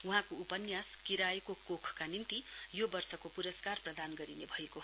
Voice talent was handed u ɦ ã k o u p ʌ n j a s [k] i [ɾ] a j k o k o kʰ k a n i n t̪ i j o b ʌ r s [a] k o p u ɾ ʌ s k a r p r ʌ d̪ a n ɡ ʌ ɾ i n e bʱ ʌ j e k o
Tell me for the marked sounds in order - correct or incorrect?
correct, correct, incorrect

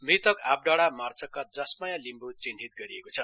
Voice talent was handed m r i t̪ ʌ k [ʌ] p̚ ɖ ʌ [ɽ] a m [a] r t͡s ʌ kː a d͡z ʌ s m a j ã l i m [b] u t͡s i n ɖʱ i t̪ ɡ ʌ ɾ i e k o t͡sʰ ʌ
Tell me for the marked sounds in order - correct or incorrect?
incorrect, correct, correct, correct

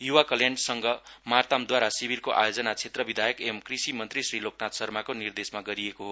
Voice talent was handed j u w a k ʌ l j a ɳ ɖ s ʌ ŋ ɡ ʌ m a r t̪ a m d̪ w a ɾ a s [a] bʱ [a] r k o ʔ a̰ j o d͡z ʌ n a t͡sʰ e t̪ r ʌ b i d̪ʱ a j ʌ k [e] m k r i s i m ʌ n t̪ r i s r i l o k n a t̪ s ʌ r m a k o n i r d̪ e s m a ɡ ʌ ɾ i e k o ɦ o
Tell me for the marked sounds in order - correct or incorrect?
incorrect, incorrect, correct

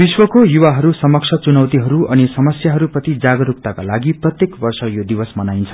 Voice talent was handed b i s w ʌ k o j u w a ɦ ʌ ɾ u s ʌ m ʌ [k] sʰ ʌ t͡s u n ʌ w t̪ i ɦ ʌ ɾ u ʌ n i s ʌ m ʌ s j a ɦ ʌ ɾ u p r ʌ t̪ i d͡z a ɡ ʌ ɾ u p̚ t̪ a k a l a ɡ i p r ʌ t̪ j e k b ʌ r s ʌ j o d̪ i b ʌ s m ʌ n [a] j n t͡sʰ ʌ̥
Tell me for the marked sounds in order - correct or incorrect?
correct, correct

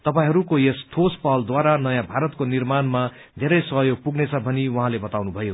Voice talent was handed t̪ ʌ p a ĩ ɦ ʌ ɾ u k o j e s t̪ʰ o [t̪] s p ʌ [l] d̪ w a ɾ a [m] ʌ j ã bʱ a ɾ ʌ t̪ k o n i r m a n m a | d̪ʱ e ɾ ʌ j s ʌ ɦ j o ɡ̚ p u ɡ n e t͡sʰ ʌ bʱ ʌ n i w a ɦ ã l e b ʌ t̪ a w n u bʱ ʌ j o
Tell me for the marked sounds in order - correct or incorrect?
incorrect, correct, incorrect

